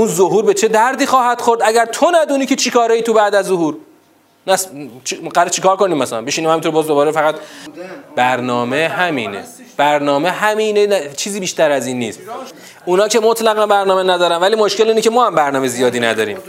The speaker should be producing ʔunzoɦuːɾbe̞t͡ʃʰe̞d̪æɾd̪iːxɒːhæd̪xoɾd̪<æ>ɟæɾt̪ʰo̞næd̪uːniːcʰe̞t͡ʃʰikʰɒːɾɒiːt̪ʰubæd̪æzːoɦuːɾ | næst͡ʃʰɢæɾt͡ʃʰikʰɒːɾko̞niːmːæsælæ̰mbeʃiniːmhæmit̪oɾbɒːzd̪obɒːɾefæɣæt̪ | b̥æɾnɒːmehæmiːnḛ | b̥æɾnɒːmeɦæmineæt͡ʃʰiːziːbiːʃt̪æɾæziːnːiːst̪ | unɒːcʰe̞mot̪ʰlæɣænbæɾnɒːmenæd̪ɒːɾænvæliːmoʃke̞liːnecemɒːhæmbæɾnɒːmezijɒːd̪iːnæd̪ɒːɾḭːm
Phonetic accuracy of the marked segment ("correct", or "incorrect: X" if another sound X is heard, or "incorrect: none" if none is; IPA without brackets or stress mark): correct